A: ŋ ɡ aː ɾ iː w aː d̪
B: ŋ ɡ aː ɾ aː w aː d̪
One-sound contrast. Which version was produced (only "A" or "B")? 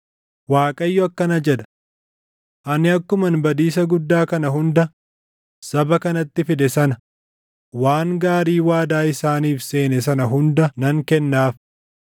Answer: A